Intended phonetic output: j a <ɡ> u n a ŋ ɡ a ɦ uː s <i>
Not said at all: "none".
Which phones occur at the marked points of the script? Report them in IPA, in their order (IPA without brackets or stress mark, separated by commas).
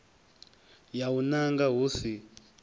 none, i